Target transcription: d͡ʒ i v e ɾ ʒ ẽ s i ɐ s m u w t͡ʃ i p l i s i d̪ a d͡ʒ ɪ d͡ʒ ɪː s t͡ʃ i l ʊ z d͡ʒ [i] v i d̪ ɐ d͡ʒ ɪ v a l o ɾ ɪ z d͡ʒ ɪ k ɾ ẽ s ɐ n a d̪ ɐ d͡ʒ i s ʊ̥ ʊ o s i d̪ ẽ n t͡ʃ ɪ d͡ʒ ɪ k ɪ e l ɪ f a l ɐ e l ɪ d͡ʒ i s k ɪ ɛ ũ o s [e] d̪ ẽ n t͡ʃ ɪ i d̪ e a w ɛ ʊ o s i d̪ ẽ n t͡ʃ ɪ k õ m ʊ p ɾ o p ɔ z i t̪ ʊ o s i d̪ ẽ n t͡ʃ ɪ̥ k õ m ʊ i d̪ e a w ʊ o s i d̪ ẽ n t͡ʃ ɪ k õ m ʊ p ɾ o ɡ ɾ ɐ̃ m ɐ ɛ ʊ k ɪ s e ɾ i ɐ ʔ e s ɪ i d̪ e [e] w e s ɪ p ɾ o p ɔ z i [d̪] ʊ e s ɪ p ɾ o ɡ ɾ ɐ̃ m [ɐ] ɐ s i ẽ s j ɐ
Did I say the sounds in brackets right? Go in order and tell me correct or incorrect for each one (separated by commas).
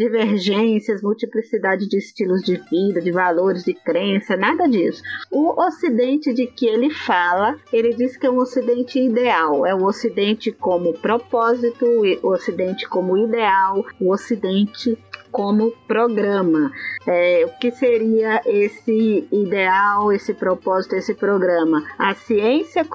incorrect, incorrect, incorrect, incorrect, correct